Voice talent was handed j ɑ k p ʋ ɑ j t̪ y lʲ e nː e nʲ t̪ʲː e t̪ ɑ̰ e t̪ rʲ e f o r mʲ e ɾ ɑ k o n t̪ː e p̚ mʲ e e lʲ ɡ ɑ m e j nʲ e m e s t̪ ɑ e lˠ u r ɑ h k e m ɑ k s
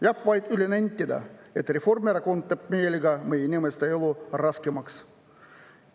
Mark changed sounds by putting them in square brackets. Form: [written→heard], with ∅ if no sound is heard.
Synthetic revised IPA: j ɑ [k→∅] p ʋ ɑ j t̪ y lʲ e [nː→n] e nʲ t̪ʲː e [t̪→d̪] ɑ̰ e t̪ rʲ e f o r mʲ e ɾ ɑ k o n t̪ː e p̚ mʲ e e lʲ ɡ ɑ m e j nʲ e m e s t̪ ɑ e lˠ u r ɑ [h→s] k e m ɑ k s